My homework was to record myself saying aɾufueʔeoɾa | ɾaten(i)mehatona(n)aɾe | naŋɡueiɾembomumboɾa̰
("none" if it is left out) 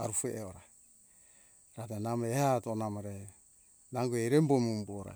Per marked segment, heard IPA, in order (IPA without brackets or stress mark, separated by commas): a, m